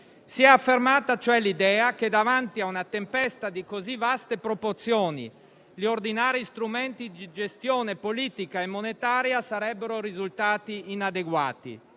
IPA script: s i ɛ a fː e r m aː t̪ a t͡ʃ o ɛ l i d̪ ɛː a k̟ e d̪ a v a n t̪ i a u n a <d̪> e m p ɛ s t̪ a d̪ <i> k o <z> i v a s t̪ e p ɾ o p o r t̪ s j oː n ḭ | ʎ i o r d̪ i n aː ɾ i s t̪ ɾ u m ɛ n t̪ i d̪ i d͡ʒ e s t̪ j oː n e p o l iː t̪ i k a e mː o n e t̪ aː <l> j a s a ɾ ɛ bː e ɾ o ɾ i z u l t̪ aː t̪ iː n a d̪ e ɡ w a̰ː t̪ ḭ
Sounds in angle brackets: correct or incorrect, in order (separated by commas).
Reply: incorrect, correct, correct, incorrect